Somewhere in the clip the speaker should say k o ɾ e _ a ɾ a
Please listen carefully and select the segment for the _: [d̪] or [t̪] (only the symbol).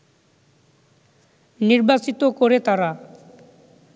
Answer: t̪